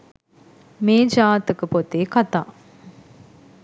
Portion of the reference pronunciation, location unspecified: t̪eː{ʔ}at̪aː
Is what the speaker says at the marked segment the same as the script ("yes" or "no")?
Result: no